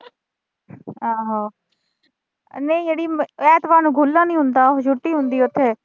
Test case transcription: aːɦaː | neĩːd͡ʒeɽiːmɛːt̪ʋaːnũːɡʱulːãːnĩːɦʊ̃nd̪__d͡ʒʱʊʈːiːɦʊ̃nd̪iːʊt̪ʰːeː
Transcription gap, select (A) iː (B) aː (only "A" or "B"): B